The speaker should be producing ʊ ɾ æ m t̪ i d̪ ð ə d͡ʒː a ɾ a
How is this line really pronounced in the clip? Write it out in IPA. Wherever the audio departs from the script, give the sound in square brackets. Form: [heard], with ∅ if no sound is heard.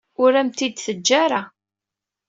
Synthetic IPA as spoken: ʊ ɾ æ m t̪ i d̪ [θ] ə d͡ʒː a ɾ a